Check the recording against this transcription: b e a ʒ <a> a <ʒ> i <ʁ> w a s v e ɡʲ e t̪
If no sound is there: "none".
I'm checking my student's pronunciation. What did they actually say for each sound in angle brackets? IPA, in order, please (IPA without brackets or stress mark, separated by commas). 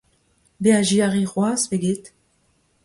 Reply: i, ʁ, ʁ